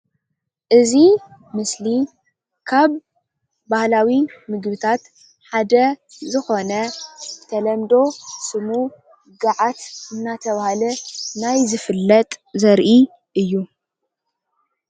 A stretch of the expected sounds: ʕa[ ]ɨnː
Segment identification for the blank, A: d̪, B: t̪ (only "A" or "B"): B